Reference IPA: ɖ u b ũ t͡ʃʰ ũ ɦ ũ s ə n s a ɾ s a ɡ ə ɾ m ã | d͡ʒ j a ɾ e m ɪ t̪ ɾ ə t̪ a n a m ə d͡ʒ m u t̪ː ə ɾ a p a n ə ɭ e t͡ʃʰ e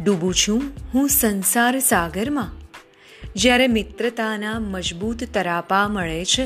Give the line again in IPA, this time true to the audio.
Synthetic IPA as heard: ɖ u b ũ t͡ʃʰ ũ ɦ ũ s ə n s a ɾ s a ɡ ə ɾ m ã | d͡ʒ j a ɾ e m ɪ t̪ ɾ ə t̪ a n a m ə d͡ʒ b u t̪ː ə ɾ a p a m ə ɭ e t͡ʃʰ e